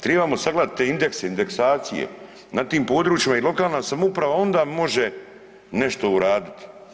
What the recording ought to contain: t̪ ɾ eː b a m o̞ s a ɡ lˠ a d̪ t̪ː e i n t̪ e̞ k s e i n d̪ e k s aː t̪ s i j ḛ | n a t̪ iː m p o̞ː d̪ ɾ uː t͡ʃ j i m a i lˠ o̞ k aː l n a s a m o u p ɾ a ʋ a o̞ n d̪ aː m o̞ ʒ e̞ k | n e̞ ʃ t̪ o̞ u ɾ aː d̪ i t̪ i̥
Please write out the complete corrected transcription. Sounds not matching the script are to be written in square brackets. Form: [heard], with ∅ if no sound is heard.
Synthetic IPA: t̪ ɾ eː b a m o̞ s a ɡ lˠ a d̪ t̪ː e i n [d̪] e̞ k s e i n d̪ e k s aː t̪ s i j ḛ | n a t̪ iː m p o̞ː d̪ ɾ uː t͡ʃ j i m a i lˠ o̞ k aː l n a s a m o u p ɾ a ʋ a o̞ n d̪ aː m o̞ ʒ e̞ [∅] | n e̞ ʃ t̪ o̞ u ɾ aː d̪ i t̪ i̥